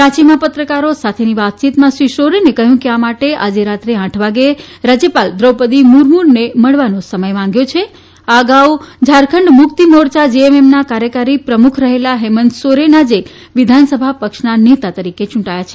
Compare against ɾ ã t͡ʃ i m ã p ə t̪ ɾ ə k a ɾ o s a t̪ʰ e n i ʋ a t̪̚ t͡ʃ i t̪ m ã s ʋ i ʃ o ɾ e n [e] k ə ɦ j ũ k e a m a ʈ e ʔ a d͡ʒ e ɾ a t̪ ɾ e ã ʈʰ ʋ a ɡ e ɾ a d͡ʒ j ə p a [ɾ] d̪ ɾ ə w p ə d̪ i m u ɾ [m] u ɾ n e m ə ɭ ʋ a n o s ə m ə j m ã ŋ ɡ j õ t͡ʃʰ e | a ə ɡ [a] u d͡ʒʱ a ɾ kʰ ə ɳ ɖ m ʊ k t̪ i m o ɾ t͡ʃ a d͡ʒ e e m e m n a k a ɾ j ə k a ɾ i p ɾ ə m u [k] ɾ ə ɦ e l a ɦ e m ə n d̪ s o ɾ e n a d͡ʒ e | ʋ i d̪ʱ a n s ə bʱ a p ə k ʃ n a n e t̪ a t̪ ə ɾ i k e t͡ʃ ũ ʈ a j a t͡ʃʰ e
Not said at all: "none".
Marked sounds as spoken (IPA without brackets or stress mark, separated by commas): e, l, m, a, kʰ